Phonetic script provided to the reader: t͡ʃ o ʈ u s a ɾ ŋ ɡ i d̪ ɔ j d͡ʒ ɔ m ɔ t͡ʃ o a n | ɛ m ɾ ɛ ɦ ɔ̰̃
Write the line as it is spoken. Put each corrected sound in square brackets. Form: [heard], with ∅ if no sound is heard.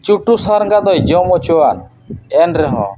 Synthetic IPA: t͡ʃ [u] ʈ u s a ɾ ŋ ɡ [a] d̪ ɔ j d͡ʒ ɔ m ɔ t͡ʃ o a n | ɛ [n] ɾ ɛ ɦ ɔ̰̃